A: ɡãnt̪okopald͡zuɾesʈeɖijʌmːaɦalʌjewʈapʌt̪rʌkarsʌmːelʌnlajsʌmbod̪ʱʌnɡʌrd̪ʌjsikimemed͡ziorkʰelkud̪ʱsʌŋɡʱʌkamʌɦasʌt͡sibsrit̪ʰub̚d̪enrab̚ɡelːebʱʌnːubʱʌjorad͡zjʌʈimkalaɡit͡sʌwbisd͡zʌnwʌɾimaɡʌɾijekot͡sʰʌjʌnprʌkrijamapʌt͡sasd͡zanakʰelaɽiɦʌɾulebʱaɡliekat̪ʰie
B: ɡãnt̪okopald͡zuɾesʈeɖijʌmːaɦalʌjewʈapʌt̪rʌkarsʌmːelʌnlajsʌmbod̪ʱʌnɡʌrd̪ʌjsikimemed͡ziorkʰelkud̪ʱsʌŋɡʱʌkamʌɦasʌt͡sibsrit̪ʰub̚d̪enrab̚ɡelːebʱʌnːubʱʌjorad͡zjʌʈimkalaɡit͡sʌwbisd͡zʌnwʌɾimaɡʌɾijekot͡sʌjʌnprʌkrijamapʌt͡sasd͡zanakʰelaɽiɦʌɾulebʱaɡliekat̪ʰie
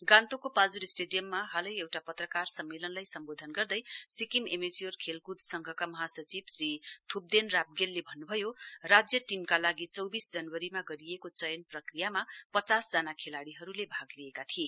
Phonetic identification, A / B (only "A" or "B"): B